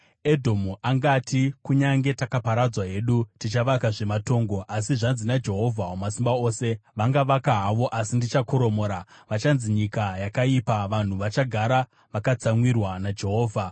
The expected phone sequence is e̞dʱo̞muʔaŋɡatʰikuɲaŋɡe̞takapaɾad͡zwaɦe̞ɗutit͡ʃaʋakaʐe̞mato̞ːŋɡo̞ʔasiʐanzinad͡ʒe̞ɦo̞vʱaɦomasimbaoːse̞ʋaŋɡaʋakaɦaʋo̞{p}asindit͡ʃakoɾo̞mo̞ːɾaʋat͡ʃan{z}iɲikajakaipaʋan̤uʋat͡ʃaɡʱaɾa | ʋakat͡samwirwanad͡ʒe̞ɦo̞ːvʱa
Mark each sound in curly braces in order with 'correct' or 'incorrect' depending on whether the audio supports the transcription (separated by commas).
incorrect, correct